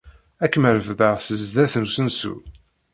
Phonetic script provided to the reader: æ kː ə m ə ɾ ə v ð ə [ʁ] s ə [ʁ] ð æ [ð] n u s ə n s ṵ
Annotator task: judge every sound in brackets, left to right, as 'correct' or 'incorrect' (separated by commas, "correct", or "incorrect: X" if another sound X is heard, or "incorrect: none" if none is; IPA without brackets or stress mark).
correct, incorrect: z, incorrect: θ